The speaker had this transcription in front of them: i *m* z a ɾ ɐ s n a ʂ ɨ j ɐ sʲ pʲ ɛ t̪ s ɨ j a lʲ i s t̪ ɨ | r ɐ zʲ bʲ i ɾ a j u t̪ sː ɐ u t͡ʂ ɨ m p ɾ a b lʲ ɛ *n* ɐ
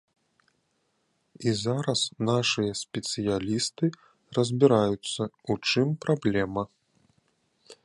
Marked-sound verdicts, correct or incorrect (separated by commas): incorrect, incorrect